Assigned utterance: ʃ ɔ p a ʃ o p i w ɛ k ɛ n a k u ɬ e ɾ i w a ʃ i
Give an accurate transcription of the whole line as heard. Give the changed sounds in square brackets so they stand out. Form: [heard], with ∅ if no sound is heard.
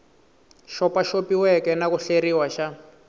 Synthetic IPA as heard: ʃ ɔ p a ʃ o p i w ɛ k ɛ n a k u ɬ e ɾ i w a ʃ [a]